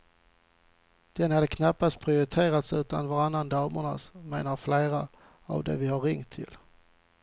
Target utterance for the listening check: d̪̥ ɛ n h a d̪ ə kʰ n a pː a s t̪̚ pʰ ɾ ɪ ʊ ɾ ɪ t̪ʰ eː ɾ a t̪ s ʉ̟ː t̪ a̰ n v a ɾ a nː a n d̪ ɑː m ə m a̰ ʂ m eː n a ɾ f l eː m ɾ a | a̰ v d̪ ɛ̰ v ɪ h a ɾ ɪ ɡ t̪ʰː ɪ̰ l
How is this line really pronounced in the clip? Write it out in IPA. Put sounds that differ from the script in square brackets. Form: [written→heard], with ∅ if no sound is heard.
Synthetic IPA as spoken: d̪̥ ɛ n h a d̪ ə kʰ n a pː a s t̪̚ pʰ ɾ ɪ ʊ ɾ ɪ t̪ʰ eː ɾ a t̪ s ʉ̟ː t̪ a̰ n v a ɾ a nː a n d̪ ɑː m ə [m→ɳ] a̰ [ʂ→s] m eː n a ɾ f l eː [m→∅] ɾ a | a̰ v d̪ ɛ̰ v ɪ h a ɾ ɪ [ɡ→ŋ] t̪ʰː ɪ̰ l